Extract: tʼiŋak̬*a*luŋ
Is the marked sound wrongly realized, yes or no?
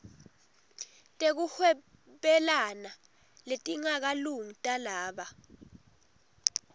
no